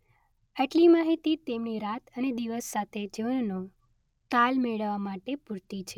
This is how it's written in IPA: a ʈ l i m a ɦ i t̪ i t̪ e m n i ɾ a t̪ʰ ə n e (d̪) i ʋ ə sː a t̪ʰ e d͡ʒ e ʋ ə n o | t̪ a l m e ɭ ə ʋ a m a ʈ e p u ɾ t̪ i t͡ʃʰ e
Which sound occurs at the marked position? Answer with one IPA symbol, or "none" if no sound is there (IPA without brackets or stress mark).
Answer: d̪